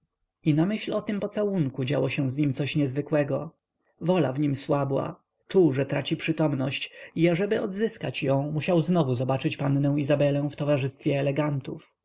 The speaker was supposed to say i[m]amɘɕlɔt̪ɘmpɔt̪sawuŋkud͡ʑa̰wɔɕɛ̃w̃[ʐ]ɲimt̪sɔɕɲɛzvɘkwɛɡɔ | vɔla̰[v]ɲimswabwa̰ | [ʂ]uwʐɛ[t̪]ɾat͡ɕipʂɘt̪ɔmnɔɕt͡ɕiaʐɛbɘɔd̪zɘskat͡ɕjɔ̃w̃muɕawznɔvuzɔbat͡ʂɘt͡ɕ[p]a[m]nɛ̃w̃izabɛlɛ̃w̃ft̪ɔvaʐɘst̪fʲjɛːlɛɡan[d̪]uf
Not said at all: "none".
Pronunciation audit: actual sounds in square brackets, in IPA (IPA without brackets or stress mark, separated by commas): n, z, v, t͡ʂ, t̪, p, n, t̪